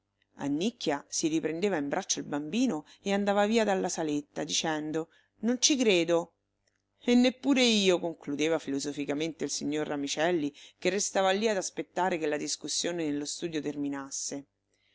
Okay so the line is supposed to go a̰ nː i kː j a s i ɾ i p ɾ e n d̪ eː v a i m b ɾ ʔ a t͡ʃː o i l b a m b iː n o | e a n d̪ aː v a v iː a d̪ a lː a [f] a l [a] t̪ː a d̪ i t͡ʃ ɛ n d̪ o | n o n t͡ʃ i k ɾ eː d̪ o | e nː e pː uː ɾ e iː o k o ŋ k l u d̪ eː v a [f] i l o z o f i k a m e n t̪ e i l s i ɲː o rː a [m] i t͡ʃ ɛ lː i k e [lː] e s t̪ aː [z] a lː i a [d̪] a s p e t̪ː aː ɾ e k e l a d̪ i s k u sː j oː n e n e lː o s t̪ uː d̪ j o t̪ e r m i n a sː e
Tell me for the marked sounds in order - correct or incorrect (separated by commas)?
incorrect, incorrect, correct, correct, incorrect, incorrect, correct